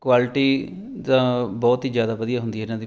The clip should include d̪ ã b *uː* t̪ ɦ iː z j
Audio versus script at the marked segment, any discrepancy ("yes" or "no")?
yes